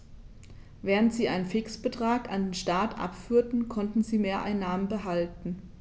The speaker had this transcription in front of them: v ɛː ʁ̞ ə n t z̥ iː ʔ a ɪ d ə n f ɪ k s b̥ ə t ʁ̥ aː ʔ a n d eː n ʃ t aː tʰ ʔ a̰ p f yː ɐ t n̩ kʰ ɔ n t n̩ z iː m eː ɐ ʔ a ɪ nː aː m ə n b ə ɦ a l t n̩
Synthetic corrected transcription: v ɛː ʁ̞ ə n t z̥ iː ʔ a ɪ n ə n f ɪ k s b̥ ə t ʁ̥ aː k a n d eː n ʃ t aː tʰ ʔ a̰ p f yː ɐ t n̩ kʰ ɔ n t n̩ z iː m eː ɐ ʔ a ɪ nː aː m ə n b ə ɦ a l t n̩